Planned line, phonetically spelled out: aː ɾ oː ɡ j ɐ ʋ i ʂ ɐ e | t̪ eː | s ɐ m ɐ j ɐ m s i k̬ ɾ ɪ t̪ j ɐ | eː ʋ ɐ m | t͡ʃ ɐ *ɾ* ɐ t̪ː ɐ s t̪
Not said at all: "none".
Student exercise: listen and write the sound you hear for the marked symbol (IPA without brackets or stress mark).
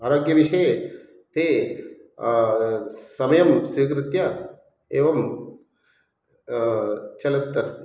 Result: l